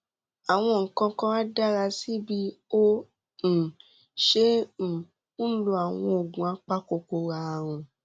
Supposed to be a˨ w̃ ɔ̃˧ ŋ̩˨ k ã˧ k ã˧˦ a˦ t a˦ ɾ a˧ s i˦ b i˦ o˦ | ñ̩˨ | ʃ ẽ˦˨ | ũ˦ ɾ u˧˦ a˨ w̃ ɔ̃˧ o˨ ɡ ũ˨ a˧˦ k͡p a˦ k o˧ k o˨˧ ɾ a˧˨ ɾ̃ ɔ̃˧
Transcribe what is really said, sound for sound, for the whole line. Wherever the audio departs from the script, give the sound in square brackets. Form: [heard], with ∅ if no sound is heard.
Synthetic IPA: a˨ w̃ ɔ̃˧ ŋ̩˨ k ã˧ k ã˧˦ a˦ [d] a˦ ɾ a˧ s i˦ b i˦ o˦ | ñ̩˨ | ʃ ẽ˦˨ | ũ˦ [l] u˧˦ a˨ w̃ ɔ̃˧ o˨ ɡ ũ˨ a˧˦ k͡p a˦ k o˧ k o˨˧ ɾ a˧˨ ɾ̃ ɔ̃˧